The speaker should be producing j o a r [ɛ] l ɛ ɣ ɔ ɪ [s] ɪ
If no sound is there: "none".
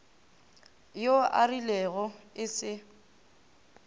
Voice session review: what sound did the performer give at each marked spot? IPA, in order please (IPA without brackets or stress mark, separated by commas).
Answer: i, s